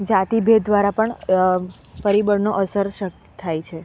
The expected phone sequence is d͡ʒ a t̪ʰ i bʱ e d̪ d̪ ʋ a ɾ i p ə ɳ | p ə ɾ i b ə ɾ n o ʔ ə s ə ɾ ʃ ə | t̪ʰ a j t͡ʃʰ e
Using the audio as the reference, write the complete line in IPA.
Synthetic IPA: d͡ʒ a t̪ i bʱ e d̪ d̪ ʋ a ɾ a p ə ɳ | p ə ɾ i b ə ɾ n o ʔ ə s ə ɾ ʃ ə | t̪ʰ a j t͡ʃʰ e